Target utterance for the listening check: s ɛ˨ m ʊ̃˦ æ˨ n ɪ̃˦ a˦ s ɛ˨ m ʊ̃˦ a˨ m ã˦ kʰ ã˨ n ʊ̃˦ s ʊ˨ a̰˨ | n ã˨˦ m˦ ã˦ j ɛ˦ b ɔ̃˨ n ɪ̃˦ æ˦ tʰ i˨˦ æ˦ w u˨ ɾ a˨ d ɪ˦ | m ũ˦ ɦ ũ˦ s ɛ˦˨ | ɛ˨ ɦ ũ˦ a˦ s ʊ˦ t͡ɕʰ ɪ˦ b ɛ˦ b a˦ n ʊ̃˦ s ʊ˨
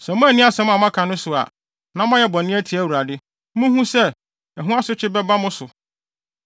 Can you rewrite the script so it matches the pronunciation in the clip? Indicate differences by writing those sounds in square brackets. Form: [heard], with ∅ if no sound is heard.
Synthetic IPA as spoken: s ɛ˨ m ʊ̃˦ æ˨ n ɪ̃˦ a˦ s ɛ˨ m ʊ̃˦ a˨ m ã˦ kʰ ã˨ n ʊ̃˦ s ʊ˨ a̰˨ | n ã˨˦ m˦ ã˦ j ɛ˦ b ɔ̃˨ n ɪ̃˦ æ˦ tʰ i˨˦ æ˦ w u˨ ɾ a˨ d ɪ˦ | m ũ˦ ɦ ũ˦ s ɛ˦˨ | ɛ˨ ɦ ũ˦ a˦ s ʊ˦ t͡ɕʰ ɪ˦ b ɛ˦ b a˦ [m] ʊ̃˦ s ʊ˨